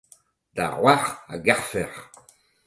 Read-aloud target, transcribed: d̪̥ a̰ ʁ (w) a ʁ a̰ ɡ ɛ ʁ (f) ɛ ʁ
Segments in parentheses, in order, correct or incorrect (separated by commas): correct, correct